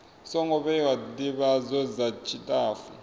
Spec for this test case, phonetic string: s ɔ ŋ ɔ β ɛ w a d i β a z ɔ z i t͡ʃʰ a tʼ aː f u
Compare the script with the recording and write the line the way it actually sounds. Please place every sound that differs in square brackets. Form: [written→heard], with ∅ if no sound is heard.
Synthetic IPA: s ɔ ŋ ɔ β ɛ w a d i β a z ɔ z [i→a] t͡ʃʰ [a→i] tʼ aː f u